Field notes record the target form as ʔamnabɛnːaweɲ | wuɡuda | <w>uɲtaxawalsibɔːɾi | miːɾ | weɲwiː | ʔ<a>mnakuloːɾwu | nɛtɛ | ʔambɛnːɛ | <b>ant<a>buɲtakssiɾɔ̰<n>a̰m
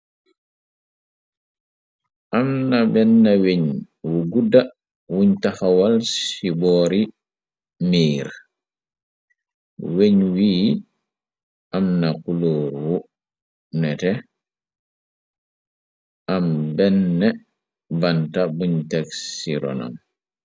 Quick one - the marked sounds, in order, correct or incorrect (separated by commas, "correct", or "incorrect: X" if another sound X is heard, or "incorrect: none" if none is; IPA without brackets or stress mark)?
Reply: correct, correct, correct, correct, correct